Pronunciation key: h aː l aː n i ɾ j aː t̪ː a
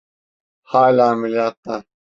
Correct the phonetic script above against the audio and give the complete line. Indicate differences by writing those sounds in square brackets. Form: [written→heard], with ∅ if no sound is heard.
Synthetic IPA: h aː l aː [n→m] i [ɾ→l] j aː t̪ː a